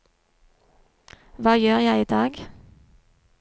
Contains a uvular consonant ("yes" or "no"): yes